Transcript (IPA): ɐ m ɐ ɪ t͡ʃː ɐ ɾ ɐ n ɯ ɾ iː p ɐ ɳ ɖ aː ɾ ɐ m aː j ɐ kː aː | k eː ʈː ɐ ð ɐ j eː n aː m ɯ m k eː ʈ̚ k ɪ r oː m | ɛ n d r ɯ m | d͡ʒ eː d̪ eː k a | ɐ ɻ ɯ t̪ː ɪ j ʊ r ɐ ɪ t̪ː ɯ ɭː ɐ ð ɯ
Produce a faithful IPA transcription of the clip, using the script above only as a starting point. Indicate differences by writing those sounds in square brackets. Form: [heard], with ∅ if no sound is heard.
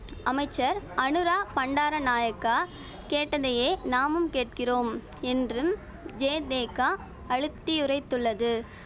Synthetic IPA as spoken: ɐ m ɐ ɪ t͡ʃː ɐ ɾ ɐ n ɯ ɾ [aː] p ɐ ɳ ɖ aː ɾ ɐ [n] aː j ɐ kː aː | k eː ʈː ɐ ð ɐ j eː n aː m ɯ m k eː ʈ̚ k ɪ r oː m | ɛ n d r ɯ m | d͡ʒ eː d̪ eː k a | ɐ ɻ ɯ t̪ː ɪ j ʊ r ɐ ɪ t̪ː ɯ ɭː ɐ ð ɯ